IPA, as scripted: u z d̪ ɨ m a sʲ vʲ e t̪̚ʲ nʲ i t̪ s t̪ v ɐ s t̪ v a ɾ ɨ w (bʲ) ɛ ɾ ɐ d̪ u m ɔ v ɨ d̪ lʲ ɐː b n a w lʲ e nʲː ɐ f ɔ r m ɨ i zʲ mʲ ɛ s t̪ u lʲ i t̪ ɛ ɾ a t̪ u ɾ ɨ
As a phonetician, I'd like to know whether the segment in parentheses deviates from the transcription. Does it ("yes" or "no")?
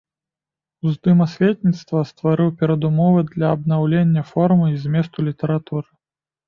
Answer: yes